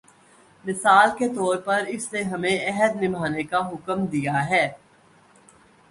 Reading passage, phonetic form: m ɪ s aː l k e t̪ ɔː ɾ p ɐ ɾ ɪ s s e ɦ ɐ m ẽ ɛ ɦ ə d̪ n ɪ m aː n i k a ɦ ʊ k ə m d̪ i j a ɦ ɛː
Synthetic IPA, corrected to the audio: m ɪ s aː l k e t̪ ɔː ɾ p ɐ ɾ ɪ s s e ɦ ɐ m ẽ ɛ ɦ ə d̪ n ɪ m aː n e k a ɦ ʊ k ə m d̪ i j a ɦ ɛː